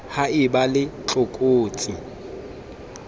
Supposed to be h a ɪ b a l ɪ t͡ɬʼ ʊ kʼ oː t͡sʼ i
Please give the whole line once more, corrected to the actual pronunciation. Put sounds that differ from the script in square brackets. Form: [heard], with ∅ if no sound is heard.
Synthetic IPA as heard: h a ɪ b a l ɪ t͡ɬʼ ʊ kʼ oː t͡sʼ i